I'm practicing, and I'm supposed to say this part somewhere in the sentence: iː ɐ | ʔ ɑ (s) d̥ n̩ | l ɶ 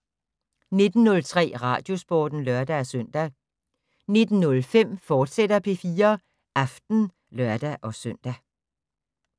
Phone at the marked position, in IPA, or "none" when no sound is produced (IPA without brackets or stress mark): f